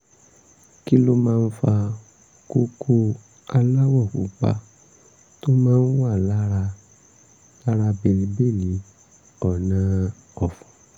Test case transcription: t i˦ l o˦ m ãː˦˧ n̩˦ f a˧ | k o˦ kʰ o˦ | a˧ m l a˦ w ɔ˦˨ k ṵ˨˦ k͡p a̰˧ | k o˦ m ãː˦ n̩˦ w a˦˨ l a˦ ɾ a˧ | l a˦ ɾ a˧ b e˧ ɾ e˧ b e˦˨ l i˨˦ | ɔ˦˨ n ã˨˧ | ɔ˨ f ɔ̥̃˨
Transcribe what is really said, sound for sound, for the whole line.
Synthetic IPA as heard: k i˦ l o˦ m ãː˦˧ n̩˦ f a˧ | k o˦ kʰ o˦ | a˧ l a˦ w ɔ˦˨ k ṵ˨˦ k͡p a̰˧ | t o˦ m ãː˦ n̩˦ w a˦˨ l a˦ ɾ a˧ | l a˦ ɾ a˧ b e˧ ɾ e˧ b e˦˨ l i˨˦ | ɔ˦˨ n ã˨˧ | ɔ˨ f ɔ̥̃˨